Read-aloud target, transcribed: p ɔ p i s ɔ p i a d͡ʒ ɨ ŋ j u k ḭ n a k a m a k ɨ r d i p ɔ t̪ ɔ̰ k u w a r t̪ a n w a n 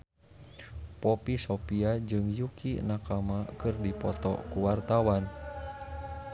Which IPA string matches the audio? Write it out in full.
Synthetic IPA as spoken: p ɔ p i s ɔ p i a d͡ʒ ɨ ŋ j u k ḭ n a k a m a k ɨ r d i p ɔ t̪ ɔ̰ k u w a r t̪ a w a n